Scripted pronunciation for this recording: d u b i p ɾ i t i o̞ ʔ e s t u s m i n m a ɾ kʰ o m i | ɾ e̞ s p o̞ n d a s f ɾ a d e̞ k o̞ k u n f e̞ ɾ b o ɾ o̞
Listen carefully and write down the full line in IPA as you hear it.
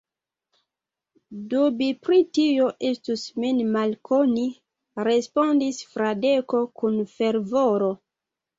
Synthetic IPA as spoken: d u b i p ɾ i t i o̞ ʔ e s t u s m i n m a l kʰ o n i | ɾ e̞ s p o̞ n d i s f ɾ a d e̞ k o̞ k u n f e̞ ɾ v o ɾ o̞

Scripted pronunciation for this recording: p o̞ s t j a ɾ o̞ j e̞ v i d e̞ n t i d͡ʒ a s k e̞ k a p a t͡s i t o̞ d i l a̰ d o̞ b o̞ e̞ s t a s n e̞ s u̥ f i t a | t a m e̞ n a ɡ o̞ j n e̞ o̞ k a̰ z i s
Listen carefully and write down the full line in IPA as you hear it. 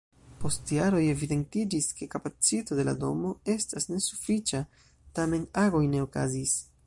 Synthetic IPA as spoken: p o̞ s t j a ɾ o̞ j e̞ v i d e̞ n t i d͡ʒ i s k e̞ k a p a t͡s i t o̞ d e l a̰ d o̞ m o̞ e̞ s t a s n e̞ s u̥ f i t͡ʃ a | t a m e̞ n a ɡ o̞ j n e̞ o̞ k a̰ z i s

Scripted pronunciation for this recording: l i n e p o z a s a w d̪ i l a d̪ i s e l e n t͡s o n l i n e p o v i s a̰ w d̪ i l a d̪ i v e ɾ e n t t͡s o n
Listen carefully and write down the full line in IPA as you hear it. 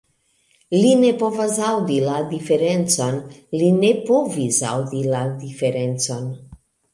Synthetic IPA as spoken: l i n e p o v a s a w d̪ i l a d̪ i f e ɾ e n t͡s o n l i n e p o v i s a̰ w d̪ i l a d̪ i f e ɾ e n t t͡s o n

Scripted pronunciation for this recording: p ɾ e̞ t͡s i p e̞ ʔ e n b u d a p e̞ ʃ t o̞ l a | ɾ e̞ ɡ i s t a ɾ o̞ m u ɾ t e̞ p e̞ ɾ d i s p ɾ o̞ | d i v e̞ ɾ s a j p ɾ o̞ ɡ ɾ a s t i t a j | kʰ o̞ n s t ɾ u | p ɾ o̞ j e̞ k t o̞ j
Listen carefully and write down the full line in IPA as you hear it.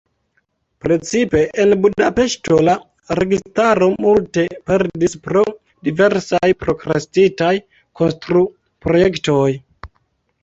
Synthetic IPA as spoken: p ɾ e̞ t͡s i p e̞ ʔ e n b u d a p e̞ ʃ t o̞ l a | ɾ e̞ ɡ i s t a ɾ o̞ m u l t e̞ p e̞ ɾ d i s p ɾ o̞ | d i v e̞ ɾ s a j p ɾ o̞ k ɾ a s t i t a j | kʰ o̞ n s t ɾ u | p ɾ o̞ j e̞ k t o̞ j

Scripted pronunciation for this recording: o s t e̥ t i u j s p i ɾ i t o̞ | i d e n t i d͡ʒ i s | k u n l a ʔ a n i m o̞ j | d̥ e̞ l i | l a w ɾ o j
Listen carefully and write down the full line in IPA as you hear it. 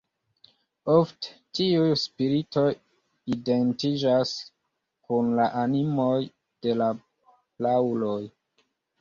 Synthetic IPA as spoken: o f t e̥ t i u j s p i ɾ i t o̞ | i d e n t i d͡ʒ a s | k u n l a ʔ a n i m o̞ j | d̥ e̞ l a | l a w l o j

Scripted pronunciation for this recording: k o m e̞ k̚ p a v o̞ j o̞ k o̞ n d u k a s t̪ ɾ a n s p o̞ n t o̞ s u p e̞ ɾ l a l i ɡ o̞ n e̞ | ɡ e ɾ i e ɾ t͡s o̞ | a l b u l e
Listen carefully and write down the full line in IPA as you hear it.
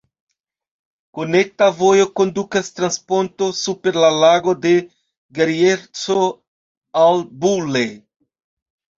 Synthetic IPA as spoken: k o n e̞ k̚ t a v o̞ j o̞ k o̞ n d u k a s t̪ ɾ a n s p o̞ n t o̞ s u p e̞ ɾ l a l a ɡ o̞ d e̞ | ɡ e ɾ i e ɾ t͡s o̞ | a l b u l e

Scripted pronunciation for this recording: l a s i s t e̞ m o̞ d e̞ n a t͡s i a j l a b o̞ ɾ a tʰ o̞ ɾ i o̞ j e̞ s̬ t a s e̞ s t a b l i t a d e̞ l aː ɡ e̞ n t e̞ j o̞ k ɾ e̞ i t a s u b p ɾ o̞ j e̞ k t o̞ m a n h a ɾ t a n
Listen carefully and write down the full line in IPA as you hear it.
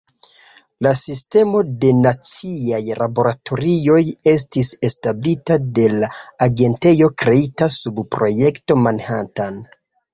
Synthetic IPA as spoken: l a s i s t e̞ m o̞ d e̞ n a t͡s i a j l a b o̞ ɾ a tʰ o̞ ɾ i o̞ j e̞ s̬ t i s e̞ s t a b l i t a d e̞ l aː ɡ e̞ n t e̞ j o̞ k ɾ e̞ i t a s u b p ɾ o̞ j e̞ k t o̞ m a n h a t a n

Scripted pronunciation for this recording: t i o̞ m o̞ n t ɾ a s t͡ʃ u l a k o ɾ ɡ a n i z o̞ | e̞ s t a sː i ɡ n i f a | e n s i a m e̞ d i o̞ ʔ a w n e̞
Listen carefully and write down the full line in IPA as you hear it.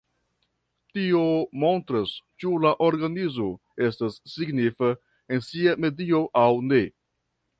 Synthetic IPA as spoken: t i o̞ m o̞ n t ɾ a s t͡ʃ u l a ʔ o ɾ ɡ a n i z o̞ | e̞ s t a sː i ɡ n i f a | e n s i a m e̞ d i o̞ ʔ a w n e̞

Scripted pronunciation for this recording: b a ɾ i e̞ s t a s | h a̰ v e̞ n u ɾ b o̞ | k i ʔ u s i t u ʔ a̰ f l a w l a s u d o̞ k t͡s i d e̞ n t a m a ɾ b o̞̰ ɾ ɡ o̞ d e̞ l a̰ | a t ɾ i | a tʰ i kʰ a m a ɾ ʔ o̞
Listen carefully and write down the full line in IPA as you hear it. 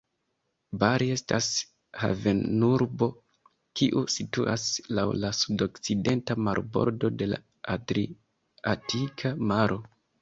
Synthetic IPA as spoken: b a ɾ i e̞ s t a s | h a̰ v e̞ n u ɾ b o̞ | k i ʔ u s i t u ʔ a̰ s l a w l a s u d o̞ k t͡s i d e̞ n t a m a ɾ b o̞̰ ɾ d o̞ d e̞ l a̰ | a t ɾ i | a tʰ i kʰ a m a ɾ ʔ o̞

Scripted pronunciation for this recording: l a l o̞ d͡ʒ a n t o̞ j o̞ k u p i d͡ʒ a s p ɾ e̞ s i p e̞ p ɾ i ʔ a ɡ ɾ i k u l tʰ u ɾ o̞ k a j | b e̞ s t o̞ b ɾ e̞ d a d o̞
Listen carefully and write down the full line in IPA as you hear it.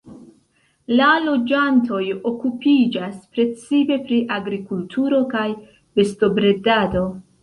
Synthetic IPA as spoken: l a l o̞ d͡ʒ a n t o̞ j o̞ k u p i d͡ʒ a s p ɾ e̞ t͡s i p e̞ p ɾ i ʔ a ɡ ɾ i k u l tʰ u ɾ o̞ k a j | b e̞ s t o̞ b ɾ e̞ d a d o̞

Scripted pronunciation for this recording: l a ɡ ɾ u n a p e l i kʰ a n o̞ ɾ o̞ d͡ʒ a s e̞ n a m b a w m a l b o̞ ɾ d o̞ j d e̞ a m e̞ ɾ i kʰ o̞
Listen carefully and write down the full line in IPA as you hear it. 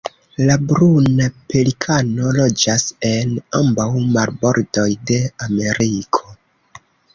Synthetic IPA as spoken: l a b ɾ u n a p e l i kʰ a n o̞ l o̞ d͡ʒ a s e̞ n a m b a w m a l b o̞ ɾ d o̞ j d e̞ a m e̞ ɾ i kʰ o̞

